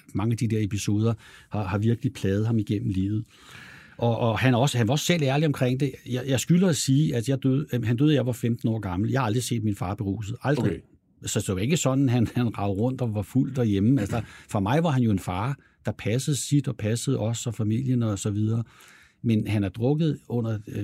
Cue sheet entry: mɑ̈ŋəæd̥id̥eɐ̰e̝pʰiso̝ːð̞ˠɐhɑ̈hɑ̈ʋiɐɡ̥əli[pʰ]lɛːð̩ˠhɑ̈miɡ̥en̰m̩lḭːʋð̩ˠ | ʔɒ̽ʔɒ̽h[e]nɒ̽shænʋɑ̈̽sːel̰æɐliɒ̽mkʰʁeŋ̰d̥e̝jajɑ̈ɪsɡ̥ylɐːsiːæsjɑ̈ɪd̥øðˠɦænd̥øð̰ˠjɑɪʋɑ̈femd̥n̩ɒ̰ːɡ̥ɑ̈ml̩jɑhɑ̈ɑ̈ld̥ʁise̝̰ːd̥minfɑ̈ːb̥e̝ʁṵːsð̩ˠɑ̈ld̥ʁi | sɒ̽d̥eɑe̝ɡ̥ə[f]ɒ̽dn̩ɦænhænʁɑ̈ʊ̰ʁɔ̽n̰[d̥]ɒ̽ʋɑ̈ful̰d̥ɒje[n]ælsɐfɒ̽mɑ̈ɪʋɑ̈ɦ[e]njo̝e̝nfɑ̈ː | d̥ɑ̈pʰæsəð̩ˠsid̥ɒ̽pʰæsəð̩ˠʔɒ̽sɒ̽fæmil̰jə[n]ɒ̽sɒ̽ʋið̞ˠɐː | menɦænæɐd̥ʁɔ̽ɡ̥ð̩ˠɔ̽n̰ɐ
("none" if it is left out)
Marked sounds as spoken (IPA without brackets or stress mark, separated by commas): pʰ, æ, s, d̥, m, æ, n